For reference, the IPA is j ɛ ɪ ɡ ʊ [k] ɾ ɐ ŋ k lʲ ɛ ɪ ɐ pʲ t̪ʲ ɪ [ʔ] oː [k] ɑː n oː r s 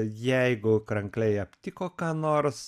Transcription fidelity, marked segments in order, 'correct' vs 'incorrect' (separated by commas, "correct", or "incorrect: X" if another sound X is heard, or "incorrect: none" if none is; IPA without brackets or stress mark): correct, incorrect: k, correct